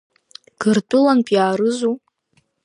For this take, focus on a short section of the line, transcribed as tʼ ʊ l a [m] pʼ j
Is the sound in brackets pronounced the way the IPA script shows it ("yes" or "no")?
no